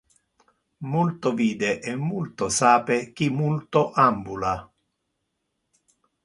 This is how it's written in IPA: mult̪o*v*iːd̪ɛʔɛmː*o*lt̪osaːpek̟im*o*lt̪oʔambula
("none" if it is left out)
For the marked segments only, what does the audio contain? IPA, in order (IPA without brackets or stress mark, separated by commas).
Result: v, u, u